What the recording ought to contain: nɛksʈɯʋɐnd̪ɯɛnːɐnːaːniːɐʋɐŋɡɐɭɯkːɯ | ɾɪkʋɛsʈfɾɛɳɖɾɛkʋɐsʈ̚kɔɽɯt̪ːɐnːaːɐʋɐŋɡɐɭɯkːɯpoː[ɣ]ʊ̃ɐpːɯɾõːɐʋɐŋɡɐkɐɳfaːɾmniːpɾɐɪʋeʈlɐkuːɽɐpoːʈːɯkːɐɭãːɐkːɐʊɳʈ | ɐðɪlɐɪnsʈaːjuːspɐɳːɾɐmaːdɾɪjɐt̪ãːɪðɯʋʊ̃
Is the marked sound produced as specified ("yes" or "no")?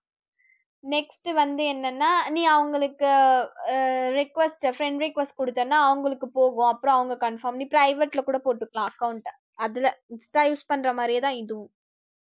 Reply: yes